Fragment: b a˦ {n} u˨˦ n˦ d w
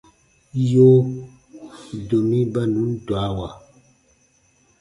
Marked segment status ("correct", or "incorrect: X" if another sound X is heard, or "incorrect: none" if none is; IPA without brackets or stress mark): correct